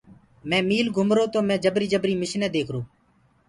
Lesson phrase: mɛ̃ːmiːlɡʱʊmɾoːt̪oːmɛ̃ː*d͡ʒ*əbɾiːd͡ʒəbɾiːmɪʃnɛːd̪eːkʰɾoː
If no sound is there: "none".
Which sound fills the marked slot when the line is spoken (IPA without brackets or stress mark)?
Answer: d͡ʒ